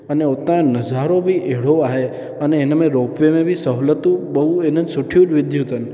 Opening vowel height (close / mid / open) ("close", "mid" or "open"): mid